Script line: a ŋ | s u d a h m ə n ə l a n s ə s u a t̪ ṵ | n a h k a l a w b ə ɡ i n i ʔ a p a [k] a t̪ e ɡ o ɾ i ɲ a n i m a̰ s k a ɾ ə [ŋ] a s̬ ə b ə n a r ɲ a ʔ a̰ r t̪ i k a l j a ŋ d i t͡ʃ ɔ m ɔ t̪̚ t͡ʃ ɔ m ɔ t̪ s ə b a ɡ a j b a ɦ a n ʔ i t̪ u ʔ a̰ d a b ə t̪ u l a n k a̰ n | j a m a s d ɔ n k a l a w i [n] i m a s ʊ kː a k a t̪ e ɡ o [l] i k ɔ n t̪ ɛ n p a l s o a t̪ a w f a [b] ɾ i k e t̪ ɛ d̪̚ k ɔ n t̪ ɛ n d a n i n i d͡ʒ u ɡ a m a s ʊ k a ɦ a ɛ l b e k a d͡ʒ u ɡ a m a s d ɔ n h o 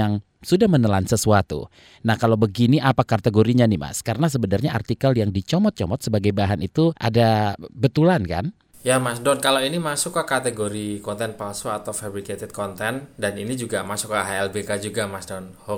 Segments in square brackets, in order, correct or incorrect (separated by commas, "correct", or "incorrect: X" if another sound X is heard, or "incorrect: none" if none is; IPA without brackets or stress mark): correct, incorrect: n, correct, incorrect: ɾ, correct